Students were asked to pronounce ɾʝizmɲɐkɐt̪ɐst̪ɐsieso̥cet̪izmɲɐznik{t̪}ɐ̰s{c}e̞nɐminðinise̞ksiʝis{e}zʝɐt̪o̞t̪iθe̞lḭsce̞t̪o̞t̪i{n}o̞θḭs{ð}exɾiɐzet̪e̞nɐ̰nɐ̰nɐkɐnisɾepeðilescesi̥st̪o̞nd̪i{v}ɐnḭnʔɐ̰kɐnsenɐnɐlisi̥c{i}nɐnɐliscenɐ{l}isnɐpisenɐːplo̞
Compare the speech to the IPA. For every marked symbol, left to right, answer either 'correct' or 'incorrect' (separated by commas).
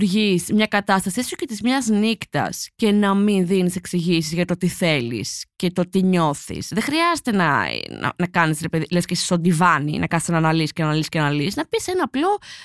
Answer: correct, correct, incorrect, incorrect, correct, correct, incorrect, correct